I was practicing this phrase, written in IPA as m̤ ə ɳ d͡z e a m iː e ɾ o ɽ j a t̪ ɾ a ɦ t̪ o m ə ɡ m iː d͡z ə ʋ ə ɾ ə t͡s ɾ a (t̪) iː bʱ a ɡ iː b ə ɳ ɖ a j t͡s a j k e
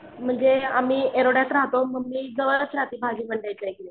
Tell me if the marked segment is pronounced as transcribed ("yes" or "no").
yes